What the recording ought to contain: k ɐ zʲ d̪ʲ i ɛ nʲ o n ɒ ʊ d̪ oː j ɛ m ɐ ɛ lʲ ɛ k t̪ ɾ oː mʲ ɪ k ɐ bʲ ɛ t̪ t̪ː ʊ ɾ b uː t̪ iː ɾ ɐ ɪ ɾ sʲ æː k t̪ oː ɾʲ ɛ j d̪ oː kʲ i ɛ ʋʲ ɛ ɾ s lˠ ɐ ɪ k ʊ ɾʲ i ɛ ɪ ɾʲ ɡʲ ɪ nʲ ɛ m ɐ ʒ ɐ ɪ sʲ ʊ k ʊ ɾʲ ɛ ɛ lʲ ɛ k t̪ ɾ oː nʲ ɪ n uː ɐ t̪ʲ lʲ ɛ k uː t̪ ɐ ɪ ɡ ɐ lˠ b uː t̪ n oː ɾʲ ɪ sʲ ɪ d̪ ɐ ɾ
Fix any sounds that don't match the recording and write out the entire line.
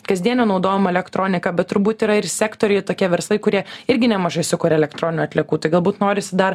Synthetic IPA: k ɐ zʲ d̪ʲ i ɛ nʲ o n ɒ ʊ d̪ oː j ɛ m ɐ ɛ lʲ ɛ k t̪ ɾ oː nʲ ɪ k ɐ bʲ ɛ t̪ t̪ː ʊ ɾ b uː t̪ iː ɾ ɐ ɪ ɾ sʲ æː k t̪ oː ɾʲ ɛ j t̪ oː kʲ i ɛ ʋʲ ɛ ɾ s lˠ ɐ ɪ k ʊ ɾʲ i ɛ ɪ ɾʲ ɡʲ ɪ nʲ ɛ m ɐ ʒ ɐ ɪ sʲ ʊ k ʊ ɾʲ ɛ ɛ lʲ ɛ k t̪ ɾ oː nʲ ɪ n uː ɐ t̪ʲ lʲ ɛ k uː t̪ ɐ ɪ ɡ ɐ lˠ b uː t̪ n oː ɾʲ ɪ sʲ ɪ d̪ ɐ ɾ